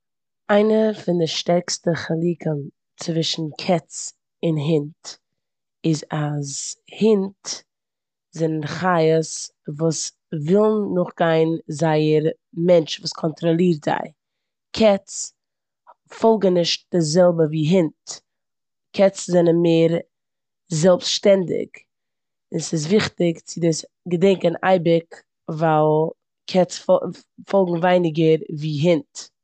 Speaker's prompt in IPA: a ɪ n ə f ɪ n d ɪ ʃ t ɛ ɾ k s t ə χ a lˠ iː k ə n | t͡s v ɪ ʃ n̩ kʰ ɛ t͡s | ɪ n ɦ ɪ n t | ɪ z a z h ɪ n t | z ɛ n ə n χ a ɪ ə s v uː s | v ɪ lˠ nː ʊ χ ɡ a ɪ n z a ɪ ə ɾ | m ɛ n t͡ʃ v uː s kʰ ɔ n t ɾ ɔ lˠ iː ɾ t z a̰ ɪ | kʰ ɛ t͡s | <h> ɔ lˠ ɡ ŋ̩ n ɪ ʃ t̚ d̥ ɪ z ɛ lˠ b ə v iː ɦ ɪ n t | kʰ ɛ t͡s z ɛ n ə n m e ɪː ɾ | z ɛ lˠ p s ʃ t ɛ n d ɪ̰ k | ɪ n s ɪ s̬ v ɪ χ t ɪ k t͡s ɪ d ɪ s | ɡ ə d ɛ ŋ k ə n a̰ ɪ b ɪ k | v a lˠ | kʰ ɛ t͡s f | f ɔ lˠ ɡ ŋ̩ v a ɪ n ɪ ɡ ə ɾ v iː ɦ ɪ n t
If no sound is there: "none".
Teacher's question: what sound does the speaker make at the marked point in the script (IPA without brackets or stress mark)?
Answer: f